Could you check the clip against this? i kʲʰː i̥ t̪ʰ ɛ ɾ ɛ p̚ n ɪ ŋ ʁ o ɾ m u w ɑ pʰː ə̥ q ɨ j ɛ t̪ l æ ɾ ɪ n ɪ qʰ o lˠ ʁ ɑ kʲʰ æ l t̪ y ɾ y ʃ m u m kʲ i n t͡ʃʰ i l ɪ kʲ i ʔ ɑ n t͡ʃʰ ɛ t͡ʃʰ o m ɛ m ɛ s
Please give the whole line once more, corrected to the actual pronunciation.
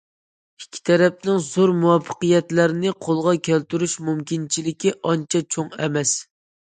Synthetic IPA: i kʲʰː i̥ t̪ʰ ɛ ɾ ɛ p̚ n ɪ ŋ z o ɾ m u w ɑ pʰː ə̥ q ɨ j ɛ t̪ l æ ɾ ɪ n ɪ qʰ o lˠ ʁ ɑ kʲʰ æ l t̪ y ɾ y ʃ m u m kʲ i n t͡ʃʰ i l ɪ kʲ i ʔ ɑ n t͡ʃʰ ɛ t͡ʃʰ o ŋ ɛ m ɛ s